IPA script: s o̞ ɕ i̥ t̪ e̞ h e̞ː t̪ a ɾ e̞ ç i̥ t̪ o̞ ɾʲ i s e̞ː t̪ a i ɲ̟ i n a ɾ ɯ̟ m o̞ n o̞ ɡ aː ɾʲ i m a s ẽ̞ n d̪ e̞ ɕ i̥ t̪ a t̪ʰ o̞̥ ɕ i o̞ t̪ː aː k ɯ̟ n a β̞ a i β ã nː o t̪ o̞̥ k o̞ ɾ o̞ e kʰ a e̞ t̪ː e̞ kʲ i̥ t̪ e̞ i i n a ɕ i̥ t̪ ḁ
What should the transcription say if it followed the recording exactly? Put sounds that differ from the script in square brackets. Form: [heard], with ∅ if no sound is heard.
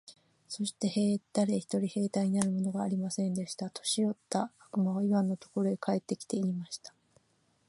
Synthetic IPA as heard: s o̞ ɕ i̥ t̪ e̞ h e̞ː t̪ a ɾ e̞ ç i̥ t̪ o̞ ɾʲ i [h] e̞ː t̪ a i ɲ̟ i n a ɾ ɯ̟ m o̞ n o̞ ɡ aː ɾʲ i m a s ẽ̞ n d̪ e̞ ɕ i̥ t̪ a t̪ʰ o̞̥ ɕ i o̞ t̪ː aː k ɯ̟ [m] a β̞ a i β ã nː o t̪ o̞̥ k o̞ ɾ o̞ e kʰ a e̞ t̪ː e̞ kʲ i̥ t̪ e̞ i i [m] a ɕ i̥ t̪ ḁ